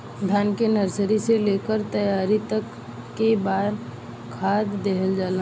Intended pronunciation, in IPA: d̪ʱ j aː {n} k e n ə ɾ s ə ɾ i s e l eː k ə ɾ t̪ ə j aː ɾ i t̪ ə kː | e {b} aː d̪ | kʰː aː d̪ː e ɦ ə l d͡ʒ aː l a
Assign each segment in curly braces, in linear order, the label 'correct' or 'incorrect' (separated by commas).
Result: correct, correct